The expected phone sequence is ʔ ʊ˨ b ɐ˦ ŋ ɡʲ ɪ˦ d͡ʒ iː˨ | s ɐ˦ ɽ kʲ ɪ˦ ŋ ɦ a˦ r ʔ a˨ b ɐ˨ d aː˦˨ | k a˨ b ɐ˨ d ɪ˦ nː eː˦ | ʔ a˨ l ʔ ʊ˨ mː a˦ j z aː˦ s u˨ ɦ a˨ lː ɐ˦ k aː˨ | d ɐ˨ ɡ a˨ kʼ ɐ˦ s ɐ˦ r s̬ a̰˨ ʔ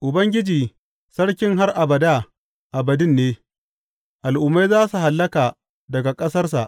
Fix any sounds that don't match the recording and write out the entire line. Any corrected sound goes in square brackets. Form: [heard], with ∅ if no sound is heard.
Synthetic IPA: ʔ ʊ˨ b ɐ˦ ŋ ɡʲ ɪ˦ d͡ʒ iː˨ | s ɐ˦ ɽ kʲ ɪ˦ ŋ ɦ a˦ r ʔ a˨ b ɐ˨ d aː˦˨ | [ʔ] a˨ b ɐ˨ d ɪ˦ nː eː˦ | ʔ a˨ l ʔ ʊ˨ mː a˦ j z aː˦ s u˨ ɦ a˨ lː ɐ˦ k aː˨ | d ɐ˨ ɡ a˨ kʼ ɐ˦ s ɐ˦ r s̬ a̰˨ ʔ